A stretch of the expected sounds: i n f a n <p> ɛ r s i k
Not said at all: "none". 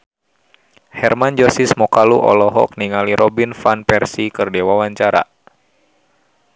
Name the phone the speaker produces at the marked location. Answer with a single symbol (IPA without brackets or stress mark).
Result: p